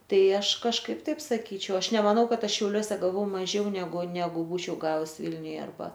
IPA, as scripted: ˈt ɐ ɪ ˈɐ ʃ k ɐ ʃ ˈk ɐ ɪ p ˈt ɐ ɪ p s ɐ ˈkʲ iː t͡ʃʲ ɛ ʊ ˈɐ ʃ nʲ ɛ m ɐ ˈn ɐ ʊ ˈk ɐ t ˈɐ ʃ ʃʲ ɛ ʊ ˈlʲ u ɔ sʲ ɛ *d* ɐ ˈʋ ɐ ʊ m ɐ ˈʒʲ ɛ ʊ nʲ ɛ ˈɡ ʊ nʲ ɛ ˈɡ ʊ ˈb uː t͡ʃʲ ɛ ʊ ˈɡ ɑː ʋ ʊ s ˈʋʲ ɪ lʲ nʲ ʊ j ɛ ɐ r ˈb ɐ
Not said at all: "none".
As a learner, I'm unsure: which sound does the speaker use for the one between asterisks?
ɡ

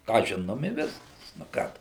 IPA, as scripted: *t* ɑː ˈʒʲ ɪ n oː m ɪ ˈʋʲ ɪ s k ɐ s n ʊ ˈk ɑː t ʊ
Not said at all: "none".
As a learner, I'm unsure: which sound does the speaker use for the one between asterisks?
k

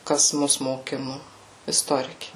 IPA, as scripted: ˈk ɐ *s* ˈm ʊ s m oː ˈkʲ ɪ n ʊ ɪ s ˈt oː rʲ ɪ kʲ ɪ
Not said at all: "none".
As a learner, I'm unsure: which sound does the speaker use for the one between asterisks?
s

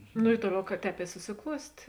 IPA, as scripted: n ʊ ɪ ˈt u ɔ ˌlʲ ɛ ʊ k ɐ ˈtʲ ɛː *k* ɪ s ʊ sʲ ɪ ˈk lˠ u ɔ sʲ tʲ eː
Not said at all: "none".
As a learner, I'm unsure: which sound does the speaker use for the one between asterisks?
p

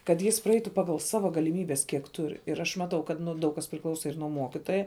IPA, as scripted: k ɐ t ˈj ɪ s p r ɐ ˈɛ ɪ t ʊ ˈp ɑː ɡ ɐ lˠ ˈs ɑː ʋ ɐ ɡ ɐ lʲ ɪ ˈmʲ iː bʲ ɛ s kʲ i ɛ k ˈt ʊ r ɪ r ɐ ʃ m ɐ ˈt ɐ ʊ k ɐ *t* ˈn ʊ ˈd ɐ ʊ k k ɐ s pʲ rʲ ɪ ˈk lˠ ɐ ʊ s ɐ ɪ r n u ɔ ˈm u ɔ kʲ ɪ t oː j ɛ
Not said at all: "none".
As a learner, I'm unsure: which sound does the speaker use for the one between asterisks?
t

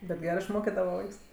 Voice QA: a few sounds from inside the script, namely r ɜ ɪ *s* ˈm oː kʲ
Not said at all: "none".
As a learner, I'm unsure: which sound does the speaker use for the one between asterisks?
ʃ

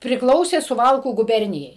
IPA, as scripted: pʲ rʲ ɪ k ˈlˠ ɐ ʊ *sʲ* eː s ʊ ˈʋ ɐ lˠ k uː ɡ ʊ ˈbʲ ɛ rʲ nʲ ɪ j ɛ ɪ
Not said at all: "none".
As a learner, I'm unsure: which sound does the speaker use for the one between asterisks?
sʲ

